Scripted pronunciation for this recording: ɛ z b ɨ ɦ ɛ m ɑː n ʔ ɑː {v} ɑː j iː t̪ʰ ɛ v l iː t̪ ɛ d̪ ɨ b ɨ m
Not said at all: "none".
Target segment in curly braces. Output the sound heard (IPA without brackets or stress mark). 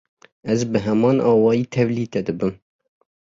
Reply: w